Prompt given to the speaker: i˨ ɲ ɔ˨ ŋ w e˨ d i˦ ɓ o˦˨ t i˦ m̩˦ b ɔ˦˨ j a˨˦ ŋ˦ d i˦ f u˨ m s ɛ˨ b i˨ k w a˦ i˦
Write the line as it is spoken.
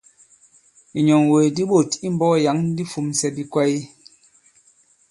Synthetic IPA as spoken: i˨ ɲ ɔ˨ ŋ w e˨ d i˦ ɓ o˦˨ t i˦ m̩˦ b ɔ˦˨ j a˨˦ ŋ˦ d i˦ f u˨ m s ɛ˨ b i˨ k w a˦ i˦